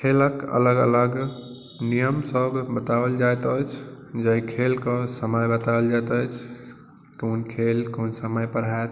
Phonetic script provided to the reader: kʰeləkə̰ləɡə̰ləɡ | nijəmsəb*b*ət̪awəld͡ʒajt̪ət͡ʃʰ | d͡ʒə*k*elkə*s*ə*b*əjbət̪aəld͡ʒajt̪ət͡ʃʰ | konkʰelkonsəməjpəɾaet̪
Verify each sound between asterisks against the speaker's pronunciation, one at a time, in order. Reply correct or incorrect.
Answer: correct, incorrect: kʰ, correct, incorrect: m

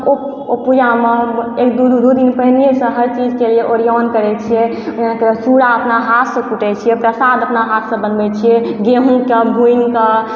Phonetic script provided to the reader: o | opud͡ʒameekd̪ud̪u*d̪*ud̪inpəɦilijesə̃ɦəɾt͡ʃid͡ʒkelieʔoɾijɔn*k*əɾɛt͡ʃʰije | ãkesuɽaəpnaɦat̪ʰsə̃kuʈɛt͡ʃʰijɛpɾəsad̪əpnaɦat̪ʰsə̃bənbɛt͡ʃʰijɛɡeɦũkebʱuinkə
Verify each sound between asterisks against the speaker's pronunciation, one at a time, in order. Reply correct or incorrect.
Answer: correct, correct

